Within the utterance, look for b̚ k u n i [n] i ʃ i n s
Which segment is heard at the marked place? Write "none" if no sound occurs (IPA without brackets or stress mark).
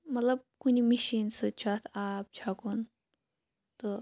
m